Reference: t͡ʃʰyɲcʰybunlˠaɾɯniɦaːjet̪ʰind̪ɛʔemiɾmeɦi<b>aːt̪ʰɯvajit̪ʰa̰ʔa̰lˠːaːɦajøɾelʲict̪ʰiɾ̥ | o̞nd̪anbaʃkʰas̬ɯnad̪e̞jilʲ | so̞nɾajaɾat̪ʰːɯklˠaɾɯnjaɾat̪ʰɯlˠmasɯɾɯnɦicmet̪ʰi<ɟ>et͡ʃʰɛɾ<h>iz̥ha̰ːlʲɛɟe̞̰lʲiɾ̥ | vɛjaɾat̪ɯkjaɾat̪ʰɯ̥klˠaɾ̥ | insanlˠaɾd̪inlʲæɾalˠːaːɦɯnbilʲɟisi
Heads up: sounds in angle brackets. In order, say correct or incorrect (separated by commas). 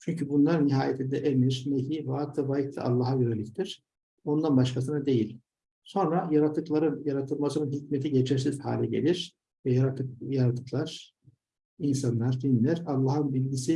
incorrect, correct, incorrect